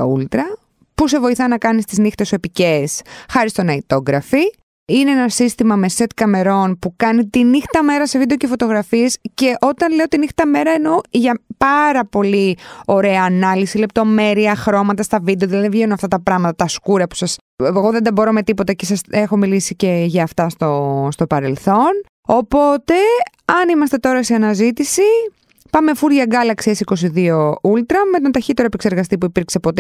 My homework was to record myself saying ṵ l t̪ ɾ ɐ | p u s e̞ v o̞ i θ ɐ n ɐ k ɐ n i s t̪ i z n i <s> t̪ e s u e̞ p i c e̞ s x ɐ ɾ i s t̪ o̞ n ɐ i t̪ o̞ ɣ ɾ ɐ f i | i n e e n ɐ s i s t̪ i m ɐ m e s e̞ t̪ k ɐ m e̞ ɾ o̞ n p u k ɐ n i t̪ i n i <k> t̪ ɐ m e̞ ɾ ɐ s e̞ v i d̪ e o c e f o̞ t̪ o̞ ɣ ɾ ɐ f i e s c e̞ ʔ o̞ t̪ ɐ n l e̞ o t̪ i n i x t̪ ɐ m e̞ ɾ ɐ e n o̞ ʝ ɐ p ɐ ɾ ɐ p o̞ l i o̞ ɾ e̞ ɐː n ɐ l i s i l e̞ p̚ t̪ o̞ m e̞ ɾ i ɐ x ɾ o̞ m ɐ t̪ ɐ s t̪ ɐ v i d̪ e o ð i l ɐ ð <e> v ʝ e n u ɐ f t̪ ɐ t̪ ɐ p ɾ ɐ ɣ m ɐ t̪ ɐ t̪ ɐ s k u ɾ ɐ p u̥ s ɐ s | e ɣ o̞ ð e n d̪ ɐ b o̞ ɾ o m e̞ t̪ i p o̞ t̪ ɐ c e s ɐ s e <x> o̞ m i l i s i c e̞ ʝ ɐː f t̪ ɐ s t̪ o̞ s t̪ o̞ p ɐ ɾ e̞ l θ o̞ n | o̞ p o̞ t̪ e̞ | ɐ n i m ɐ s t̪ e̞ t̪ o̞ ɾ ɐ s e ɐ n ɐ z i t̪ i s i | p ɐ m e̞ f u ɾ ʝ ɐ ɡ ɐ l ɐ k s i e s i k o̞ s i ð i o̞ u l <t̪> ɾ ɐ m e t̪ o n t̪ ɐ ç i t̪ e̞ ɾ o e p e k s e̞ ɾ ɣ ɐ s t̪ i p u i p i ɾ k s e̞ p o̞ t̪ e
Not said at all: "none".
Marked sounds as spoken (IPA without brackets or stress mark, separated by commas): x, x, i, x, t̪